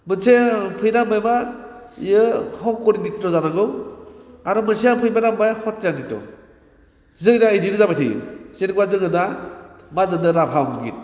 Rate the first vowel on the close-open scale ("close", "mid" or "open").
close